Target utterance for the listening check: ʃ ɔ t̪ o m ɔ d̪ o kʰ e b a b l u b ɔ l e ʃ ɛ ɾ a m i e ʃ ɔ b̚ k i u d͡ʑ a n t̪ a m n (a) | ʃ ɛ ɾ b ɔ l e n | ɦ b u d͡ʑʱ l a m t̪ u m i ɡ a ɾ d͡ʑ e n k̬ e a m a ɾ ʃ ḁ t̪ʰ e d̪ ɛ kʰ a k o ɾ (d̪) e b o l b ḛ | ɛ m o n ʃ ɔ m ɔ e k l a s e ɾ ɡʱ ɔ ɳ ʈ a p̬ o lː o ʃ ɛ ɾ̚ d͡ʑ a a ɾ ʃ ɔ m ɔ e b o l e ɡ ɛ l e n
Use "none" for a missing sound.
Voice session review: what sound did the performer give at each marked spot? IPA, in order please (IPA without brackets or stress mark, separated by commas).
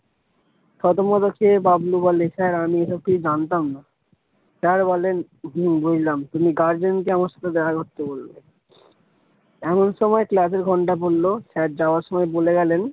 a, t̪